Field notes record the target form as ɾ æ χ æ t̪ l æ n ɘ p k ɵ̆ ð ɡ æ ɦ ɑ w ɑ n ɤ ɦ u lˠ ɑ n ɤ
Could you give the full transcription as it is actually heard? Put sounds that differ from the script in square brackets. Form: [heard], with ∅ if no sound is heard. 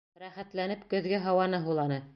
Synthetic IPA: ɾ æ χ æ t̪ l æ n ɘ p k ɵ̆ ð ɡ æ ɦ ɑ w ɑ n ɤ ɦ u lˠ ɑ n ɤ